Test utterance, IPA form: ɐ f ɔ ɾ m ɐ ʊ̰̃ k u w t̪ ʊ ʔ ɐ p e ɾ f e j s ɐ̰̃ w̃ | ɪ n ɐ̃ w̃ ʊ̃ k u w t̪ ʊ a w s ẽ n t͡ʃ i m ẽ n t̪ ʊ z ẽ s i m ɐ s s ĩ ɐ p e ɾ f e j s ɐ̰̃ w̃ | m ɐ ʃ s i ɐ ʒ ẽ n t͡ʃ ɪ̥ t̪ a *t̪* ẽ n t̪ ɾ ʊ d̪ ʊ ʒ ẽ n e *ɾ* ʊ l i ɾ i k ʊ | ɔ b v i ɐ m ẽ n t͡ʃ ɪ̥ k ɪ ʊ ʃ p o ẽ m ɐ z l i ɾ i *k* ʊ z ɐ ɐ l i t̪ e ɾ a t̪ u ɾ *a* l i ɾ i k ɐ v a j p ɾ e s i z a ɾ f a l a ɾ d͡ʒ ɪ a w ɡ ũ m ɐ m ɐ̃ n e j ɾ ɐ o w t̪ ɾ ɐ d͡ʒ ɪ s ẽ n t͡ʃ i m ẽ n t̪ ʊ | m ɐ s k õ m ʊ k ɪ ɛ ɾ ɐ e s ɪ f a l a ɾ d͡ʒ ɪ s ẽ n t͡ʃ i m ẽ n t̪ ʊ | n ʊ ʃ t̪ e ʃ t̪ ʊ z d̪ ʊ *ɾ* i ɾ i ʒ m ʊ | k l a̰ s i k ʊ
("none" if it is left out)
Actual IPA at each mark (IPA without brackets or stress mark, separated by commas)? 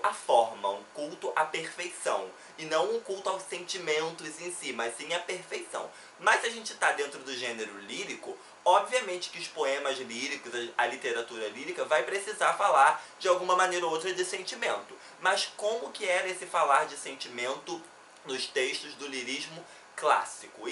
d̪, ɾ, k, ɐ, l